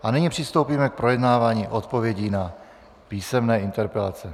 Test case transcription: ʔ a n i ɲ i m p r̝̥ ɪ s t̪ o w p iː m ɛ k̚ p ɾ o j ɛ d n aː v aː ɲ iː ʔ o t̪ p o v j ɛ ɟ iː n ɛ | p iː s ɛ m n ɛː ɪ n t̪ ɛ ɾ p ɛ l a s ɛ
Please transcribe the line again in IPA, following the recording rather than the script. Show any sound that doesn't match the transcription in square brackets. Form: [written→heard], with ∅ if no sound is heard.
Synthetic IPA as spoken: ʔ a n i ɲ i [m→∅] p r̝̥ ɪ s t̪ o w p iː m ɛ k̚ p ɾ o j ɛ d n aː v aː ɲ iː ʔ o t̪ p o v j ɛ ɟ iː n [ɛ→a] | p iː s ɛ m n ɛː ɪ n t̪ ɛ ɾ p ɛ l a [s→t͡s] ɛ